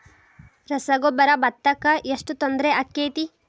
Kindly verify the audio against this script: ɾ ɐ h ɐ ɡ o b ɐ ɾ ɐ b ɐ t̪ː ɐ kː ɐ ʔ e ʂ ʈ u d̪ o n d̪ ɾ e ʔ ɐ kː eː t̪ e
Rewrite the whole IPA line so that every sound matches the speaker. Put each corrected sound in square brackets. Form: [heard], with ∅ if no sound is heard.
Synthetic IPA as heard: ɾ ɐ [s] ɐ ɡ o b ɐ ɾ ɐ b ɐ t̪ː ɐ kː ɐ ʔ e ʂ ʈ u [t̪] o n d̪ ɾ e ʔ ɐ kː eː t̪ [i]